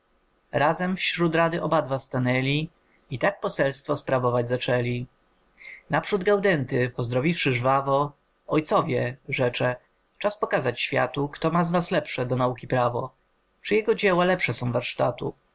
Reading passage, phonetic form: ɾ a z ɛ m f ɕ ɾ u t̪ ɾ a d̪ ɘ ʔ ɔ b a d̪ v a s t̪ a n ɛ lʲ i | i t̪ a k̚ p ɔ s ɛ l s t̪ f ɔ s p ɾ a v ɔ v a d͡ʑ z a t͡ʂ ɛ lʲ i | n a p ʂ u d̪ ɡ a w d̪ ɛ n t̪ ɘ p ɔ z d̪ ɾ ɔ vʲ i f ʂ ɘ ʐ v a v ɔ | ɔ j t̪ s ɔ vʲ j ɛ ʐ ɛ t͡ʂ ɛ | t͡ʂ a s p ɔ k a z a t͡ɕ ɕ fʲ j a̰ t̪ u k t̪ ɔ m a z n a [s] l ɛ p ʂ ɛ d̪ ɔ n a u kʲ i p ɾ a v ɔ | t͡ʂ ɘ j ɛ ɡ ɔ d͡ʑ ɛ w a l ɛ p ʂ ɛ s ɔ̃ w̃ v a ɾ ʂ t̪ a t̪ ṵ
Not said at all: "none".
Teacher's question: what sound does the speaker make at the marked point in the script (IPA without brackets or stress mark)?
s